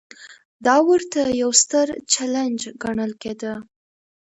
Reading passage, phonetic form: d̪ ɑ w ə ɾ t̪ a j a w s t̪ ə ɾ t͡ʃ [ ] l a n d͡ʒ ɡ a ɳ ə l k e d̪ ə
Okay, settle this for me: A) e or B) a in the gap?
B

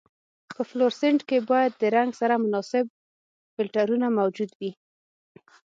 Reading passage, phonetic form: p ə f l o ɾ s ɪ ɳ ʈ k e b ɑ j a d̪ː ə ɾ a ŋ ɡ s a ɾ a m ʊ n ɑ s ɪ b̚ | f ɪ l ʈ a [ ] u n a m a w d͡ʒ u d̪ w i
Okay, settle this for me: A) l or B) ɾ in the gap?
B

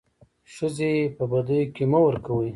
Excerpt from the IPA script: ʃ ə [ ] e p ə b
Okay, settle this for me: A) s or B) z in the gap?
B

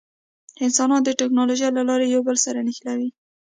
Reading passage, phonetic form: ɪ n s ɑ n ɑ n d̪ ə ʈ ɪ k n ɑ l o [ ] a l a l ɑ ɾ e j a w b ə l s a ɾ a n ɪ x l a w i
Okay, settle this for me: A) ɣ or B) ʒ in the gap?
B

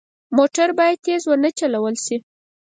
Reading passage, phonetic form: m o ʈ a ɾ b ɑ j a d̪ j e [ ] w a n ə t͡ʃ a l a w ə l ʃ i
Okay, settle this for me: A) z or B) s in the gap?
A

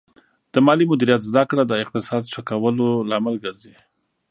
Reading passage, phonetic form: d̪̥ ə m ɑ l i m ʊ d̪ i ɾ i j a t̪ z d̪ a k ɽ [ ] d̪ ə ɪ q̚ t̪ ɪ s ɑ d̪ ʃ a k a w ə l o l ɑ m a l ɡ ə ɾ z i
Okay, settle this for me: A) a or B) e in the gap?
A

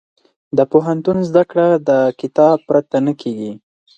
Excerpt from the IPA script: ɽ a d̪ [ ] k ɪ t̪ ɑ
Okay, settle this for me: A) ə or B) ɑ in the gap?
A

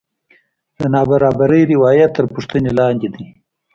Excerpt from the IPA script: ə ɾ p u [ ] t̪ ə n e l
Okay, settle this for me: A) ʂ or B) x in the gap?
A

